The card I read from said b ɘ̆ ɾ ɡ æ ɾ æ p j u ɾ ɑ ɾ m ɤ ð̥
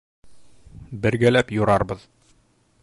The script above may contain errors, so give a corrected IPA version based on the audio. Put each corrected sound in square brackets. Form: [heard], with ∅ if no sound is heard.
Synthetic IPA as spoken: b ɘ̆ ɾ ɡ æ [l] æ p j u ɾ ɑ ɾ [b] ɤ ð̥